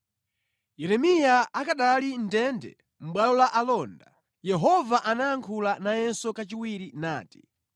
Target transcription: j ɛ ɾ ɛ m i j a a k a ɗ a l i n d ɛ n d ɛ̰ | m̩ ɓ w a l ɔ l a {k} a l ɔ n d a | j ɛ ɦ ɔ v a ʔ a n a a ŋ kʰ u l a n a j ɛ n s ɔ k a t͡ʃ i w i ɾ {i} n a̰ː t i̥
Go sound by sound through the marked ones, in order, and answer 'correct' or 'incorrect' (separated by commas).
incorrect, correct